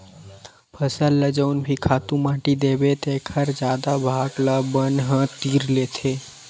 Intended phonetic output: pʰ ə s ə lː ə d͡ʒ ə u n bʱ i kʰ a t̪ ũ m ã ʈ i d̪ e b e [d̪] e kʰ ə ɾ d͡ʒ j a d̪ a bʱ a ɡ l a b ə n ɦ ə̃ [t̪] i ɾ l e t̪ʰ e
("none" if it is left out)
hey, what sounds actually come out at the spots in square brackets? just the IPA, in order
t̪, t̪

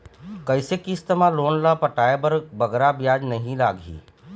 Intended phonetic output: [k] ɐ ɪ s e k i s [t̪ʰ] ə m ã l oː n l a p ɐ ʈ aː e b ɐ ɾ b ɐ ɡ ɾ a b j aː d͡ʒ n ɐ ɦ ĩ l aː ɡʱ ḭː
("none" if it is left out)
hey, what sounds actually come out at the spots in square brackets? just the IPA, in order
k, t̪

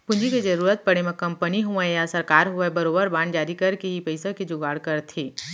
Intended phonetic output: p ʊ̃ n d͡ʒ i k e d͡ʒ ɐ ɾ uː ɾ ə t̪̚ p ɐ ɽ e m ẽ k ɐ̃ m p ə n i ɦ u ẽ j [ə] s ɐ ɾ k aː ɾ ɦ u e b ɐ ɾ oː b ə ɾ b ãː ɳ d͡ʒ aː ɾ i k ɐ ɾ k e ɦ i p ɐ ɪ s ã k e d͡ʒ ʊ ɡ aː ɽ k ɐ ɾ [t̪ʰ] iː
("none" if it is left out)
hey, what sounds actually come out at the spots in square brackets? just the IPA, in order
a, t̪ʰ

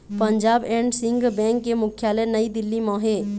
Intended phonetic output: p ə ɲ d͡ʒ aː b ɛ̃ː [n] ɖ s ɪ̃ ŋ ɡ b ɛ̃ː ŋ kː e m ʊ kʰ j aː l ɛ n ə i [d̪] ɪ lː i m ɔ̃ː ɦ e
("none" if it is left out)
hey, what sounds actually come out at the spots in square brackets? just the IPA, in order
ɳ, d̪

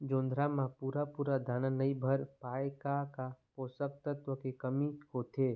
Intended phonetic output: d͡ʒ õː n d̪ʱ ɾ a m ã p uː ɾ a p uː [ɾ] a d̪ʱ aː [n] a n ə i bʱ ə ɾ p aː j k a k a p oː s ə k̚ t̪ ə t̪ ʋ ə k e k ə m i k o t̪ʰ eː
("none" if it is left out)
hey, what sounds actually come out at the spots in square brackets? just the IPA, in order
ɾ, n

